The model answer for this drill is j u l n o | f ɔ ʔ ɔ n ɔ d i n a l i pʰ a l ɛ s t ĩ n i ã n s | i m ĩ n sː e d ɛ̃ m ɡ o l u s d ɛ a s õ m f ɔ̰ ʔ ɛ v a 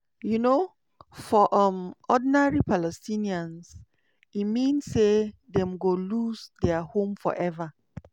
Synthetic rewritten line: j u n o | f ɔ ʔ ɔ m ɔ d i n a ɹ i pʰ a l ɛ s t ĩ n i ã n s | i m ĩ n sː e d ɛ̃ m ɡ o l u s d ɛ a h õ m f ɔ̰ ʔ ɛ v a